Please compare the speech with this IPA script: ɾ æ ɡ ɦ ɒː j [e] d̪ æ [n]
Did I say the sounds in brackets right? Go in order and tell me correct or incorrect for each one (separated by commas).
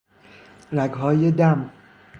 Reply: correct, incorrect